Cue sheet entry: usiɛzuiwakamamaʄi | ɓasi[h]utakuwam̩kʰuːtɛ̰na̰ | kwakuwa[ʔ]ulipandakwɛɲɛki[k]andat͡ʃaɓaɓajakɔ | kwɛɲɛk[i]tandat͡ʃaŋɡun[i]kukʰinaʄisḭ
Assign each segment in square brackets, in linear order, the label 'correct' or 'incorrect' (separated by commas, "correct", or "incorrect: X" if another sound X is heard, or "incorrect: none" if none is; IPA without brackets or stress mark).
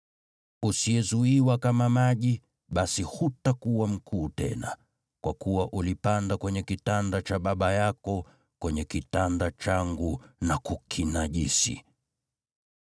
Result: correct, correct, incorrect: t, correct, incorrect: a